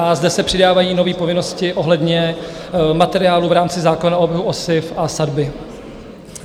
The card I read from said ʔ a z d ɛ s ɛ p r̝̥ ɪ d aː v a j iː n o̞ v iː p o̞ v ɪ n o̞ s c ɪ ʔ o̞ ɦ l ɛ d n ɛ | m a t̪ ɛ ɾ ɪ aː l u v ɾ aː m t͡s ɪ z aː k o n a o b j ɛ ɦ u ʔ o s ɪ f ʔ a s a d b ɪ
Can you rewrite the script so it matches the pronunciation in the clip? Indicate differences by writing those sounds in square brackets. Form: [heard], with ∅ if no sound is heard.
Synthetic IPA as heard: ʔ a z d ɛ s ɛ p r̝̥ ɪ d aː v a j iː n o̞ v iː p o̞ v ɪ n o̞ s c ɪ ʔ o̞ ɦ l ɛ d [ɲ] ɛ | m a t̪ ɛ ɾ ɪ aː l u v ɾ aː m t͡s ɪ z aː k o n a o b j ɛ ɦ u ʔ o s ɪ f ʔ a s a d b ɪ